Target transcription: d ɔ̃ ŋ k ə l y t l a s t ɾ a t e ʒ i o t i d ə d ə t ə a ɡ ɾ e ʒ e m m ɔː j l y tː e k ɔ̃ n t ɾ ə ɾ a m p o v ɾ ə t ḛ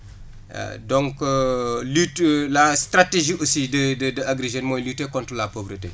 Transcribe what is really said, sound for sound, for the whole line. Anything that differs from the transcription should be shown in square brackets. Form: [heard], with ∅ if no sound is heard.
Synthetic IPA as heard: d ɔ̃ ŋ k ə l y t l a s t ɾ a t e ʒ i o [s] i d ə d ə [d] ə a ɡ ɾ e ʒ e [n] m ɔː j l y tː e k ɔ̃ n t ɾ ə [l] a [∅] p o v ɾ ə t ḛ